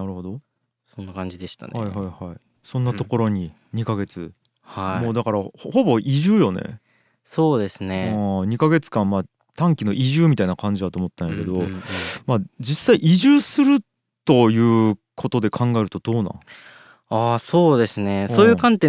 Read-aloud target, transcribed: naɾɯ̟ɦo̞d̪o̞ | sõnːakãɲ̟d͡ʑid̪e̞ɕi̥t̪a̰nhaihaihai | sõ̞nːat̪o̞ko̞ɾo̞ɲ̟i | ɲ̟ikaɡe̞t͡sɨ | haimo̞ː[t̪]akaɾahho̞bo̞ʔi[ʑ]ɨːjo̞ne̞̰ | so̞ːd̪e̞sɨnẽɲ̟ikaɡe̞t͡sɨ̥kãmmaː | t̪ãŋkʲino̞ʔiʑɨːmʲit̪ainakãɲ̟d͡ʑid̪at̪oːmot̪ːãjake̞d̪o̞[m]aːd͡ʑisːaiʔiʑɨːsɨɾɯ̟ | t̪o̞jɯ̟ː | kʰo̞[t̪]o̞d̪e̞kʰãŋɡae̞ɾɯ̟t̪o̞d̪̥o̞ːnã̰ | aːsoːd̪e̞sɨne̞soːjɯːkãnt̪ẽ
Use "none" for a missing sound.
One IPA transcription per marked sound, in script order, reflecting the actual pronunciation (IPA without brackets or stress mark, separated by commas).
d̪, ʑ, m, t̪